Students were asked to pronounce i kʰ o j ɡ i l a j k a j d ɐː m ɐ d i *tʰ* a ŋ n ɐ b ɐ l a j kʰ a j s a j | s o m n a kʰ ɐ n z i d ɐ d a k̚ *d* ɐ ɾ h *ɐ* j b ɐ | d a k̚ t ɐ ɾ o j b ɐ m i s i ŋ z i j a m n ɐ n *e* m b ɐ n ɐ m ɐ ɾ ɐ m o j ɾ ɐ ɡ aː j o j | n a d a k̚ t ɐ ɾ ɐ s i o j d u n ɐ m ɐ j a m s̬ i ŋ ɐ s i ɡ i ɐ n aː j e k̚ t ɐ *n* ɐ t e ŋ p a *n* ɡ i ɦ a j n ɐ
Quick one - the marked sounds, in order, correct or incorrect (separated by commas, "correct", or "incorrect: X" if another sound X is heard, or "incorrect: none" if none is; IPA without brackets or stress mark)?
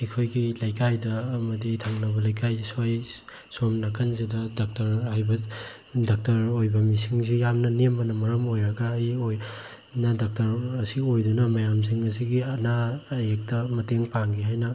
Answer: correct, incorrect: t, incorrect: a, correct, incorrect: m, incorrect: ŋ